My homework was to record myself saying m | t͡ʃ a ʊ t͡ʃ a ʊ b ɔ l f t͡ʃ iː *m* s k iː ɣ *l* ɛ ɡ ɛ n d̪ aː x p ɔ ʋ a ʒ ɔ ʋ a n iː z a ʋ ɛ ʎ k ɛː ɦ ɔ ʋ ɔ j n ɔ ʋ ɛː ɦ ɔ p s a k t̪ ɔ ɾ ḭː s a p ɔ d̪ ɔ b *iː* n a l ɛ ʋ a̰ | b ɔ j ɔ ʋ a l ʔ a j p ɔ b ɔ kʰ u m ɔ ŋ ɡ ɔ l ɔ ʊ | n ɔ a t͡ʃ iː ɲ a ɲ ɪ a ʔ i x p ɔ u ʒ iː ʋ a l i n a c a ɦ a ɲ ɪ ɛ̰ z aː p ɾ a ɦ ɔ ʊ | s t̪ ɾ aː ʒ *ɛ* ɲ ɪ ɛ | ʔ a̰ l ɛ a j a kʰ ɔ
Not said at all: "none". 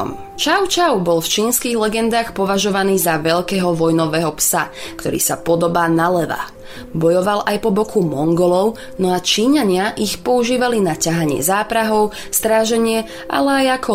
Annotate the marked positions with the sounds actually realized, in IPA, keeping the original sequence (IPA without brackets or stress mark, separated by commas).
n, l, aː, ɛ